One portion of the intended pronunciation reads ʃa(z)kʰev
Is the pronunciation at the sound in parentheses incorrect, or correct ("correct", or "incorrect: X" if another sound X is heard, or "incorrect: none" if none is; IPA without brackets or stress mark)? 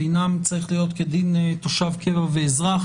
incorrect: v